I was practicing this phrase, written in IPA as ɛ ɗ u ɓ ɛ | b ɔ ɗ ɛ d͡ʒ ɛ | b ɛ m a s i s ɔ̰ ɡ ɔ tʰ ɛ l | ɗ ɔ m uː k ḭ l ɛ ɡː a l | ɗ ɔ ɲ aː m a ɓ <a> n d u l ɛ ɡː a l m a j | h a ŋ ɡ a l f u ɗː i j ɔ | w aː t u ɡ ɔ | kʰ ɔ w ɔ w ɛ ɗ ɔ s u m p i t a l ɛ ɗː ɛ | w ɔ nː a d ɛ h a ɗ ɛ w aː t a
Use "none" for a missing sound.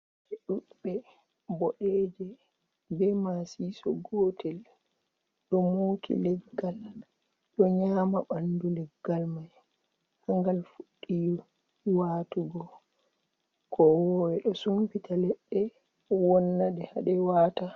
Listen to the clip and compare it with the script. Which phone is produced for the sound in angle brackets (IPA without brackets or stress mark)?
a